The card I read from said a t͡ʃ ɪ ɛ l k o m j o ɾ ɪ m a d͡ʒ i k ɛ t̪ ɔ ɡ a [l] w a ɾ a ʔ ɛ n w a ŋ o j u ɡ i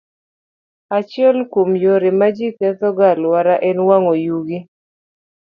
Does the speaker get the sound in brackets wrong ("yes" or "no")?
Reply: no